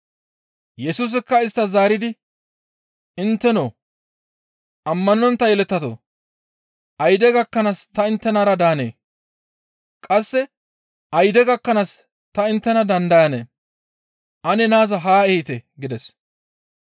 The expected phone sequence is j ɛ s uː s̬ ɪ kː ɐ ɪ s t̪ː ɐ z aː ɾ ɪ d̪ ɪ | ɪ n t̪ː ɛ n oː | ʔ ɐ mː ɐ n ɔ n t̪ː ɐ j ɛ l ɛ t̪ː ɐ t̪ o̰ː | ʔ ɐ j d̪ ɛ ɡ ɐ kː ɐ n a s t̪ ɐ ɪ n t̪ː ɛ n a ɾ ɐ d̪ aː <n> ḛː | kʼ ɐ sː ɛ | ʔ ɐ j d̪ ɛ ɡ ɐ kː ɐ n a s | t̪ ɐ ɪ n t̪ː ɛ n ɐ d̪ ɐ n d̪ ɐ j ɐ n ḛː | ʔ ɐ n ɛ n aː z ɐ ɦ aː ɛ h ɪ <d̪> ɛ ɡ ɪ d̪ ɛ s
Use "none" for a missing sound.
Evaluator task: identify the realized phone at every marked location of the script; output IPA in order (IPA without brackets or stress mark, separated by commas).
n, t̪